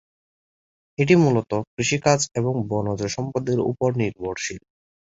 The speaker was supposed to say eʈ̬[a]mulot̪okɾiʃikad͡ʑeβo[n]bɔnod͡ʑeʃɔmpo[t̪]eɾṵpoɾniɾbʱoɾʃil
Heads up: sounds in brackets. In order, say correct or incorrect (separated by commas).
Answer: incorrect, incorrect, incorrect